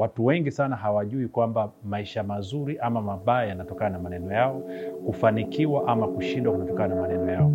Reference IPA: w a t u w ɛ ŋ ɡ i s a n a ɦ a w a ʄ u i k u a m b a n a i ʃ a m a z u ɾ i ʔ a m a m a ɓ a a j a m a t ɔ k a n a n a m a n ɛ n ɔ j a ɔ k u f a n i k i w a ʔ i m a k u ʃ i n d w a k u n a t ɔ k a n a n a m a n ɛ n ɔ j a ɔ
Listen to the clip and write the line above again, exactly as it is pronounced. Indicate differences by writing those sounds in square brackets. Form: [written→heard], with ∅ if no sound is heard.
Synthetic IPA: w a t u w ɛ ŋ ɡ i s a n a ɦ a w a ʄ u i k [u→w] a m b a [n→m] a i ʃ a m a z u ɾ i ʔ a m a m a ɓ a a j a [m→n] a t ɔ k a n a n a m a n ɛ n ɔ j a ɔ k u f a n i k i w a ʔ [i→a] m a k u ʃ i n d w a k u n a t ɔ k a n a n a m a n ɛ n ɔ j a ɔ